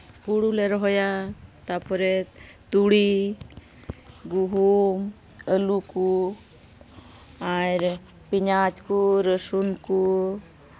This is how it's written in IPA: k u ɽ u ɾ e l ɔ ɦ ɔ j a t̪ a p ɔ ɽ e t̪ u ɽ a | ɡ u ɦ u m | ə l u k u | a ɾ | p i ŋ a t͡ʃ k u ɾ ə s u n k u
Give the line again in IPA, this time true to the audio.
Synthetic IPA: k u ɽ u l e ɾ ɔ ɦ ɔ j a t̪ a p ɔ ɾ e t̪ u ɽ i | ɡ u ɦ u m | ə l u k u | a ɾ | p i ɲ a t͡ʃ k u ɾ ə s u n k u